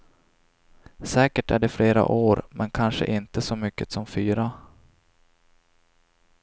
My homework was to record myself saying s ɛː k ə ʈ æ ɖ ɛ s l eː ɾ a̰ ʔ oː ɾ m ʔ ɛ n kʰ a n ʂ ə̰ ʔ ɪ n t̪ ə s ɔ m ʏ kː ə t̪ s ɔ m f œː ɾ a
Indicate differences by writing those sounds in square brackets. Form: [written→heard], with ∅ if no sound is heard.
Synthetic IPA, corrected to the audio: s ɛː k ə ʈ æ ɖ ɛ [s→f] l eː ɾ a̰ ʔ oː ɾ m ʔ ɛ n kʰ a n ʂ ə̰ ʔ ɪ n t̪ ə s ɔ m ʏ kː ə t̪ s ɔ m f [œː→yː] ɾ a